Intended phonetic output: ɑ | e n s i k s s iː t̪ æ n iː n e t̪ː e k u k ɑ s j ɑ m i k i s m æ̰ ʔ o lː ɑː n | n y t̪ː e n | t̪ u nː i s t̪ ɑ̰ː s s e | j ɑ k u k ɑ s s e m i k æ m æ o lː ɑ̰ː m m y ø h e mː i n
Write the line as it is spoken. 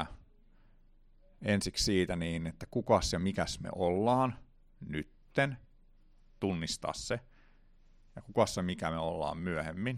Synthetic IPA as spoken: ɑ | e n s i k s s iː t̪ æ n iː n e t̪ː æ k u k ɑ s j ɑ m i k æ s m ḛ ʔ o lː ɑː n | n y t̪ː e n | t̪ u nː i s t̪ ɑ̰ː s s e | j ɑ k u k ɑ s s e m i k æ m e o lː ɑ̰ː m m y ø h e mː i n